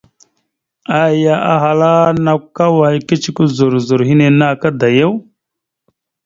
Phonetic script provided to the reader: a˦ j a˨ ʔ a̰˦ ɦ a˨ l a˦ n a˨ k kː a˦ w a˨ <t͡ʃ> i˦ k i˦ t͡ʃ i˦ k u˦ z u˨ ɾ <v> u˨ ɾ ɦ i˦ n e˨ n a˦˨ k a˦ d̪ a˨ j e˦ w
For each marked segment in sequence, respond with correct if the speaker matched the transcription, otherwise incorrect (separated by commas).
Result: incorrect, incorrect